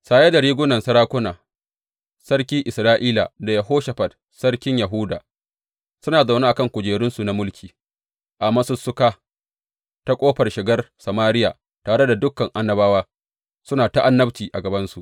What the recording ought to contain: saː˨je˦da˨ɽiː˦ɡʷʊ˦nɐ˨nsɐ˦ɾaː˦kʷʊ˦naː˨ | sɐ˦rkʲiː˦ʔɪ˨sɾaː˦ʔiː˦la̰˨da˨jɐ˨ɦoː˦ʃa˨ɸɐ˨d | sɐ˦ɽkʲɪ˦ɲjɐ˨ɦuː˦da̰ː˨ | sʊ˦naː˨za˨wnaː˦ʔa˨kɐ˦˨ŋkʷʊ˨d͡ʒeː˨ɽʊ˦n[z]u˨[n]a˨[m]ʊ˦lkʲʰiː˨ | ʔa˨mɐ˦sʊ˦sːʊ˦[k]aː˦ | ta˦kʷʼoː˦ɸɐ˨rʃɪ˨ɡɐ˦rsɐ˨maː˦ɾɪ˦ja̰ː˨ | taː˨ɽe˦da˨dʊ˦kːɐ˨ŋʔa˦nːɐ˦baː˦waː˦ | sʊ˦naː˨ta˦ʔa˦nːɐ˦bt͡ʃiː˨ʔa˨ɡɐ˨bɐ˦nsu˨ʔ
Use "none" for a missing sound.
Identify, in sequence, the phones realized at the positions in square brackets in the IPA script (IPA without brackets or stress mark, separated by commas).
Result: s, n, m, k